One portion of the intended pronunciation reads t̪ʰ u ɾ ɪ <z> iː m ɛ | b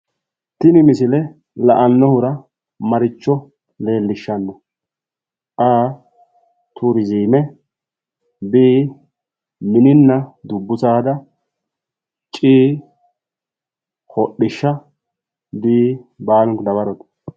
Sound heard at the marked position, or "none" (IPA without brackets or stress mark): z